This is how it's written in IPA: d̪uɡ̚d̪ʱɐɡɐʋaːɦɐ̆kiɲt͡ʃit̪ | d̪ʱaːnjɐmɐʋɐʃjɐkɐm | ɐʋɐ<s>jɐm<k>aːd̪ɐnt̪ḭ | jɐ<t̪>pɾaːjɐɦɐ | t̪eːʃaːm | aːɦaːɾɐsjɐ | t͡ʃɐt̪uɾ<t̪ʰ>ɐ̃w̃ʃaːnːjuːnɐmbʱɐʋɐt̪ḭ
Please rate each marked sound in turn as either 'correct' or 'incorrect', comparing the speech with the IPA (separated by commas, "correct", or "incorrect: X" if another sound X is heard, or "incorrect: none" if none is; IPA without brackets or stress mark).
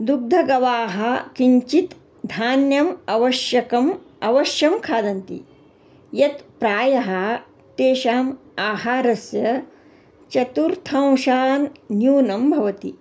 incorrect: ʃ, incorrect: kʰ, correct, correct